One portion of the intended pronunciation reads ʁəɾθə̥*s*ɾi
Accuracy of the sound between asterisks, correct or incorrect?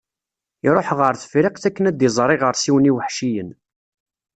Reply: incorrect